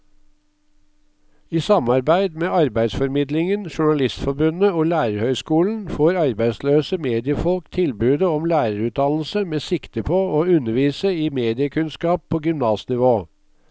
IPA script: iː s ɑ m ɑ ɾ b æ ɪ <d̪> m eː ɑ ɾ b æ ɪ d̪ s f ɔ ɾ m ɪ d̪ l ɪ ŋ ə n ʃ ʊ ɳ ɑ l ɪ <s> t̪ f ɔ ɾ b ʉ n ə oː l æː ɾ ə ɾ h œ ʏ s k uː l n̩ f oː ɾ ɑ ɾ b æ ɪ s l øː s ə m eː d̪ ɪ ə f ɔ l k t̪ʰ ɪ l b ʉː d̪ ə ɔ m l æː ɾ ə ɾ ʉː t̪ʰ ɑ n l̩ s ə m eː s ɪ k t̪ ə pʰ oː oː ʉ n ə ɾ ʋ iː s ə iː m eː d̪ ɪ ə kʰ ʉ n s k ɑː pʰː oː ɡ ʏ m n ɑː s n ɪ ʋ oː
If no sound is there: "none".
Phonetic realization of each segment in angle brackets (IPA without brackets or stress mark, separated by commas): d̪, s